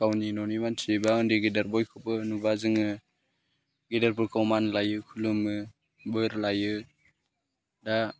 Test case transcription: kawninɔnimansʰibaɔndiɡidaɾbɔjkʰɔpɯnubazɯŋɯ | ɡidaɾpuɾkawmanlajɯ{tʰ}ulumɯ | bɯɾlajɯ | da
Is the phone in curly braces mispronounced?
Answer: yes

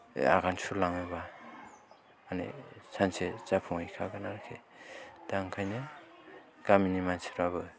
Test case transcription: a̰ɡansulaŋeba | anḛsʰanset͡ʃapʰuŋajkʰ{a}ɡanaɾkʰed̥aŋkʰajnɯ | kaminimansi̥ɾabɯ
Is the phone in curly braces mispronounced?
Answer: no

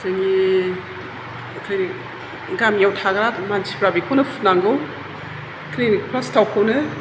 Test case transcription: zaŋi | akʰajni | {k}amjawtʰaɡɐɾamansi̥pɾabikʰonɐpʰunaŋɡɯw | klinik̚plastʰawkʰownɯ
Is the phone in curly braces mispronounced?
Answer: yes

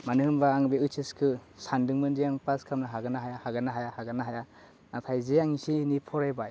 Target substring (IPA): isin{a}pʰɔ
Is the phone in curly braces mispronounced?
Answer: yes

